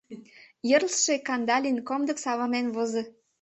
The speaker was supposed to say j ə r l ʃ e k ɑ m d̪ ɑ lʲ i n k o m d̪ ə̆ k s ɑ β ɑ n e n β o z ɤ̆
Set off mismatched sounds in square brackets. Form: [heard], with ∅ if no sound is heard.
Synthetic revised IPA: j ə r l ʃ e k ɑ [n] d̪ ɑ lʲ i n k o m d̪ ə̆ k s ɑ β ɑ n e n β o z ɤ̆